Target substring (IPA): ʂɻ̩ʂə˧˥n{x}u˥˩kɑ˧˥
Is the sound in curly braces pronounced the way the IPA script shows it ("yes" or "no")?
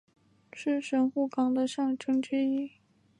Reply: yes